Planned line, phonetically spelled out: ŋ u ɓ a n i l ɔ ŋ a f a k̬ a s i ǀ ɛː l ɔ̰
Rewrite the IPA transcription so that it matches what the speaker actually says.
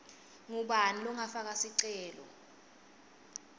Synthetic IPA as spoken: ŋ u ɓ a n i l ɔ ŋ a f a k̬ a s i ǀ ɛː l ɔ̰